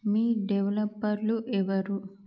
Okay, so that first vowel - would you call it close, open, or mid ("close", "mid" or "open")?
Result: close